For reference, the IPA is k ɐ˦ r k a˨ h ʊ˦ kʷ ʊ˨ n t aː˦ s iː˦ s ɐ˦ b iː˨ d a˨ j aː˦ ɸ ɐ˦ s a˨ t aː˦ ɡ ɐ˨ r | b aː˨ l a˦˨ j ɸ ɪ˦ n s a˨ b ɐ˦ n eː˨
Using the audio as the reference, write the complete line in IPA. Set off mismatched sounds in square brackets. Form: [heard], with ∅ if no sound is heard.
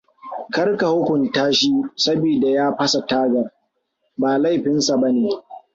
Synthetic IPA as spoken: k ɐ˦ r k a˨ h ʊ˦ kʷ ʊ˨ n t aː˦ [ʃ] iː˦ s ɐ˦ b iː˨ d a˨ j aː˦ ɸ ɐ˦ s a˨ t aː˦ ɡ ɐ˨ r | b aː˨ l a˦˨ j ɸ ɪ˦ n s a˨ b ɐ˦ n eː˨